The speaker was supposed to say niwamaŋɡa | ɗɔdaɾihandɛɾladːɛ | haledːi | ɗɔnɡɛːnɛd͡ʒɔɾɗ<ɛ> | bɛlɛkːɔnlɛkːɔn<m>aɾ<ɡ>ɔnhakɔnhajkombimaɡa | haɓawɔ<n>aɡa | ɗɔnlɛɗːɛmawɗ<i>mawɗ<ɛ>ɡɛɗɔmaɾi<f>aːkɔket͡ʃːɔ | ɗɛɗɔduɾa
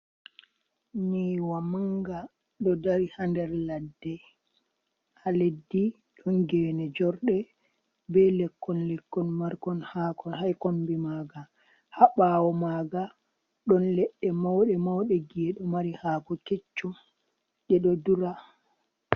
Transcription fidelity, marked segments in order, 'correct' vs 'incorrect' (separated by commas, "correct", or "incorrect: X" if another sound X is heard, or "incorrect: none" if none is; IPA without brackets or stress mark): correct, correct, incorrect: k, incorrect: m, incorrect: ɛ, correct, incorrect: h